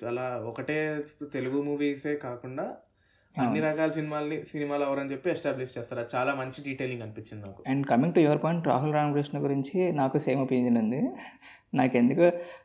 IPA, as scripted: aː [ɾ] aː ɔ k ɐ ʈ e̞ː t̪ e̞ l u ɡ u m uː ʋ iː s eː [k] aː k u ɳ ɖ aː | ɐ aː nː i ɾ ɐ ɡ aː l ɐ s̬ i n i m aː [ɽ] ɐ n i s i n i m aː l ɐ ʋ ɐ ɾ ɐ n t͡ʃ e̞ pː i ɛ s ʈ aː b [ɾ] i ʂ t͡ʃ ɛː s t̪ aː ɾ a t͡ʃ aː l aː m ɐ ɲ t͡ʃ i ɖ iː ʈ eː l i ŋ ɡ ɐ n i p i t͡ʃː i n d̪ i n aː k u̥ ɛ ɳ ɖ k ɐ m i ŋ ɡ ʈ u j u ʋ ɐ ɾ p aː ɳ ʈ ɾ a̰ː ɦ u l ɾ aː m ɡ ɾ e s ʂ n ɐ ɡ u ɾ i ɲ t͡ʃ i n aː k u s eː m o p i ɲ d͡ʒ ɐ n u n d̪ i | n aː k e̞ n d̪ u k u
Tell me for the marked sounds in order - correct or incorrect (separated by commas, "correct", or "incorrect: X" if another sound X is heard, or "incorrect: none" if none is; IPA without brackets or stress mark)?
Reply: incorrect: l, correct, incorrect: l, incorrect: l